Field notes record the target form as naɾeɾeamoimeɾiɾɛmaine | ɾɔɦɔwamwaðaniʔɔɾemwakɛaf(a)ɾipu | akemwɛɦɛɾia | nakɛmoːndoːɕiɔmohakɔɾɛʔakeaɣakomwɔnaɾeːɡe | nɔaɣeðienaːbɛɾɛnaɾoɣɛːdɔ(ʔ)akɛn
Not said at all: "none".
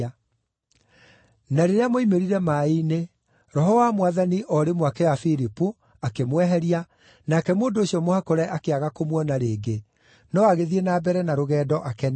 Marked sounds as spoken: i, ʔ

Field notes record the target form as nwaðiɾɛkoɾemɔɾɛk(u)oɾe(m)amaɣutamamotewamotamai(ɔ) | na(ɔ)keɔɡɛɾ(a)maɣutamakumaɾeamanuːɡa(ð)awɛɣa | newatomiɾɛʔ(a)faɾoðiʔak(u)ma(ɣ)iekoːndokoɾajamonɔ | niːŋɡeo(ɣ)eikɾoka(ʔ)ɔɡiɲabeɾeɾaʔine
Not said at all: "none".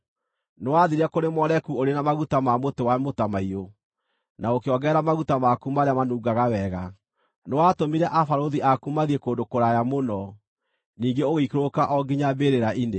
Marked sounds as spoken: u, n, o, o, a, ɣ, a, u, ð, ɣ, ʔ

